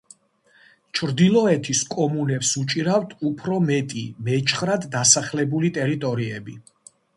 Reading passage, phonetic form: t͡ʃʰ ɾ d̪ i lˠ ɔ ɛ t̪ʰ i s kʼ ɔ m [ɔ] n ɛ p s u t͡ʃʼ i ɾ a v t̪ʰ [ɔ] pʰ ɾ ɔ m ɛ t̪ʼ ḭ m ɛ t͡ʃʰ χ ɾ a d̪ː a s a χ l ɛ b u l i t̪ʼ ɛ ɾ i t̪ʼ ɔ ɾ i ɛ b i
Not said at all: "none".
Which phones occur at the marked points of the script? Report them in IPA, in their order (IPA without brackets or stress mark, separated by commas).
u, u